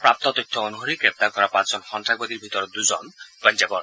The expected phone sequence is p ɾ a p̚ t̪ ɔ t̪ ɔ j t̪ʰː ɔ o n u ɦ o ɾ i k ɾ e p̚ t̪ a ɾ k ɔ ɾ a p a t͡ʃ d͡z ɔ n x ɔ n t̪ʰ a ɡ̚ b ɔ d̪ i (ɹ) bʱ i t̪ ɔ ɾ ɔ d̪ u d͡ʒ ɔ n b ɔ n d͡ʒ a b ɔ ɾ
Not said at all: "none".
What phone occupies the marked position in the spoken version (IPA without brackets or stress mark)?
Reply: ɾ